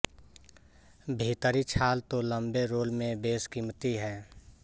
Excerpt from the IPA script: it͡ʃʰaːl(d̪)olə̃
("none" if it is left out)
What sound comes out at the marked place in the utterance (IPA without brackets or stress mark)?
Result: t̪